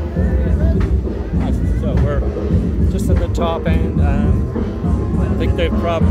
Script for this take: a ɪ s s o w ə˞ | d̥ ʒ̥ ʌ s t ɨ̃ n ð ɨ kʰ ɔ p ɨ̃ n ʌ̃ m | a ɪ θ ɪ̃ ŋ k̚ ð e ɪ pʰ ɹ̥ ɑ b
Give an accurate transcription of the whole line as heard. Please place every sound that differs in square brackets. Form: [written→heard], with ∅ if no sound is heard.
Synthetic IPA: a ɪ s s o w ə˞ | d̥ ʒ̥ ʌ s t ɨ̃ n ð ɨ [kʰ→tʰ] ɔ p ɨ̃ n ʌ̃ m | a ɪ θ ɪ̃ ŋ k̚ ð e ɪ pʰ ɹ̥ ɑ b